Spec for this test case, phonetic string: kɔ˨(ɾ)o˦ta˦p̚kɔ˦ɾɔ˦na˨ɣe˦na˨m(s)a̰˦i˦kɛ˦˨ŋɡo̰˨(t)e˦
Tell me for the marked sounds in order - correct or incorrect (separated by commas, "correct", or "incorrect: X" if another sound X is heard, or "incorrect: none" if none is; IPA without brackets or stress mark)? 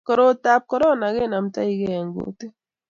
correct, incorrect: t, correct